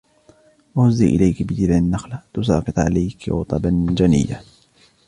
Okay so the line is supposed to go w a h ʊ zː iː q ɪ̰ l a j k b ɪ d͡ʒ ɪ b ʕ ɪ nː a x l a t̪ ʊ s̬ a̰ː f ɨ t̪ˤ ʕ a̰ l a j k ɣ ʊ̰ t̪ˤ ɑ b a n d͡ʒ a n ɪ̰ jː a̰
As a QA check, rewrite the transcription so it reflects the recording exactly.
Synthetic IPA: w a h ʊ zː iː ʔ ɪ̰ l a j k b ɪ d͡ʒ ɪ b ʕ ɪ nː a x l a t̪ ʊ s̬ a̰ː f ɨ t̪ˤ ʕ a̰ l a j k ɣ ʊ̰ t̪ˤ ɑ b a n d͡ʒ a n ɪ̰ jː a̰